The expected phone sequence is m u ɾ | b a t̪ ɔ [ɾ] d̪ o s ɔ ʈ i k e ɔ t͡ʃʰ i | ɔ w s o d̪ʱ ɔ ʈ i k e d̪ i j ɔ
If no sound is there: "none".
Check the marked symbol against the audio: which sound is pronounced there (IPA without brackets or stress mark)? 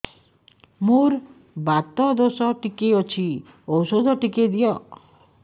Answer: none